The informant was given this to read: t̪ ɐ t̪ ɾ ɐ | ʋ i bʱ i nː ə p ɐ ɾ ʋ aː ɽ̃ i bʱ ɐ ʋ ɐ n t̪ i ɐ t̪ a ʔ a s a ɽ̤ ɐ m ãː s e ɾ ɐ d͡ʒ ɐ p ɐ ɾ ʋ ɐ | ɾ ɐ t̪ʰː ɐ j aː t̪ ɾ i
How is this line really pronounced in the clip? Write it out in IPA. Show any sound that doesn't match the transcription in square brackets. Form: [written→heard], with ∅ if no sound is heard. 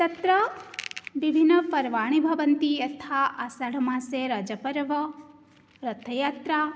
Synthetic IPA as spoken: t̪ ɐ t̪ ɾ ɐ | ʋ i bʱ i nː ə p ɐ ɾ ʋ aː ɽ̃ i bʱ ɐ ʋ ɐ n t̪ i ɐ [t̪→t̪ʰ] a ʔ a s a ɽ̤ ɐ m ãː s e ɾ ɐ d͡ʒ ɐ p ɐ ɾ ʋ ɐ | ɾ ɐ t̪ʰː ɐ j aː t̪ ɾ [i→a]

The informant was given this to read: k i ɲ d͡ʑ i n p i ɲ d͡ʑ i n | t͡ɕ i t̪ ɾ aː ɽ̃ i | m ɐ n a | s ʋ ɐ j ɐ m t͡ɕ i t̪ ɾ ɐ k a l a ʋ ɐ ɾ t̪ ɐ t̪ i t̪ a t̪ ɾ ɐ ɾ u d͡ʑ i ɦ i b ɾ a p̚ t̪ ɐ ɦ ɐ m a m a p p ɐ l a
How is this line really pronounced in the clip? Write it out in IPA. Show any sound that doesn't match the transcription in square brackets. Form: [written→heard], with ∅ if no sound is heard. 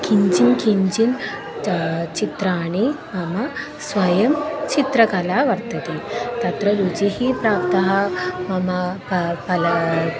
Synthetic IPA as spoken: k i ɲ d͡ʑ i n [p→k] i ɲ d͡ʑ i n | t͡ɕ i t̪ ɾ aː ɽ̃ i | m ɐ [n→m] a | s ʋ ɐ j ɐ m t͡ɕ i t̪ ɾ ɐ k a l a ʋ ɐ ɾ t̪ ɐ t̪ i t̪ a t̪ ɾ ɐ ɾ u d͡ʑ i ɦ i [b→p] ɾ a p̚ t̪ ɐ ɦ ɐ m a m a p p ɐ l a

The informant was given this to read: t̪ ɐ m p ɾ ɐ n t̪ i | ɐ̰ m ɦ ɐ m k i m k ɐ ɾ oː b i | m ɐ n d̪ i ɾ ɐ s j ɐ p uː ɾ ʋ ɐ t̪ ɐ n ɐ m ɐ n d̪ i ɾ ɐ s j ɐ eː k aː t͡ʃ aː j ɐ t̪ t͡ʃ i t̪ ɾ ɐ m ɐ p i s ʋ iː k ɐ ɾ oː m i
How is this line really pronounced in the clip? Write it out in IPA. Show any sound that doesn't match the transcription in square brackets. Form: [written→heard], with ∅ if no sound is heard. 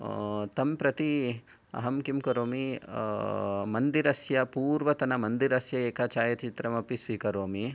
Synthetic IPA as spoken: t̪ ɐ m p ɾ ɐ [n→∅] t̪ i | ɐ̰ [m→∅] ɦ ɐ m k i m k ɐ ɾ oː [b→m] i | m ɐ n d̪ i ɾ ɐ s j ɐ p uː ɾ ʋ ɐ t̪ ɐ n ɐ m ɐ n d̪ i ɾ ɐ s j ɐ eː k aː t͡ʃ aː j ɐ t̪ t͡ʃ i t̪ ɾ ɐ m ɐ p i s ʋ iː k ɐ ɾ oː m i

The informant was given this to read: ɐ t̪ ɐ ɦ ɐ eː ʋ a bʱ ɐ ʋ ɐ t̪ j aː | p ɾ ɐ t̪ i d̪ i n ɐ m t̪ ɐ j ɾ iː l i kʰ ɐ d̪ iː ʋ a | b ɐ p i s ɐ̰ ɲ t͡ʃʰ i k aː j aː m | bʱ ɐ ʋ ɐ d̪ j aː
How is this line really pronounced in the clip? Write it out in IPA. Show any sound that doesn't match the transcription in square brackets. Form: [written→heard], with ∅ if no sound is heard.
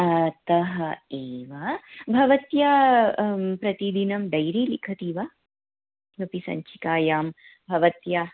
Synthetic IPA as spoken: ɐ t̪ ɐ ɦ ɐ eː ʋ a bʱ ɐ ʋ ɐ t̪ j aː | p ɾ ɐ t̪ i d̪ i n ɐ m [t̪→d̪] ɐ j ɾ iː l i kʰ ɐ [d̪→t̪] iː ʋ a | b ɐ p i s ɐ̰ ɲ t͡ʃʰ i k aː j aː m | bʱ ɐ ʋ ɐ [d̪→t̪] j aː

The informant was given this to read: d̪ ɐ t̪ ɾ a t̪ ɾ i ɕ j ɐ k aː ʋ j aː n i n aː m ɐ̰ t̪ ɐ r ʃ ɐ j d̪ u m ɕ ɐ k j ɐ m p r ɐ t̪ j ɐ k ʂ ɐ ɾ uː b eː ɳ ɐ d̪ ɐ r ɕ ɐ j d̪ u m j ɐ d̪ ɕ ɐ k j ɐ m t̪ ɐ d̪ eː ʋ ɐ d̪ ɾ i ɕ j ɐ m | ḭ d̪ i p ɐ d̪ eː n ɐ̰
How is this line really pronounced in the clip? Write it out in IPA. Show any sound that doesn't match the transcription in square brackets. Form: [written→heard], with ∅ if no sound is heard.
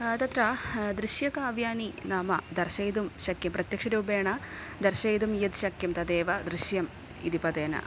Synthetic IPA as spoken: [d̪→t̪] ɐ t̪ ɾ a [t̪→d̪] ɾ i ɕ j ɐ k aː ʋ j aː n i n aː m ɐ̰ [t̪→d̪] ɐ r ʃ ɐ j d̪ u m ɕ ɐ k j ɐ m p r ɐ t̪ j ɐ k ʂ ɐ ɾ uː b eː ɳ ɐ d̪ ɐ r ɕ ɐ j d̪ u m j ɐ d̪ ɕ ɐ k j ɐ m t̪ ɐ d̪ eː ʋ ɐ d̪ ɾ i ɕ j ɐ m | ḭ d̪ i p ɐ d̪ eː n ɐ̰

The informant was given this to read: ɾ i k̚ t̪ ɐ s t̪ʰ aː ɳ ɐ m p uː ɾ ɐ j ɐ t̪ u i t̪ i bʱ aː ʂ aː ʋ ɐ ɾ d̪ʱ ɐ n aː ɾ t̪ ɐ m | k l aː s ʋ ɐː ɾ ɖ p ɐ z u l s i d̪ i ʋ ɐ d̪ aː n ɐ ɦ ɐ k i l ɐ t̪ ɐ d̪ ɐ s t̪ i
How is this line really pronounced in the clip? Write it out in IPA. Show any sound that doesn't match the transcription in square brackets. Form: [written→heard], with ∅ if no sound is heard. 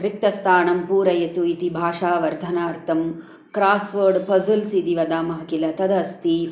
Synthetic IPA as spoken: ɾ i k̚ t̪ ɐ s t̪ʰ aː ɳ ɐ m p uː ɾ ɐ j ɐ t̪ u i t̪ i bʱ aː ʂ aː ʋ ɐ ɾ d̪ʱ ɐ n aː ɾ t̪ ɐ m | k [l→ɾ] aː s ʋ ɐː ɾ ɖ p ɐ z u l s i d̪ i ʋ ɐ d̪ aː [n→m] ɐ ɦ ɐ k i l ɐ t̪ ɐ d̪ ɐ s t̪ i

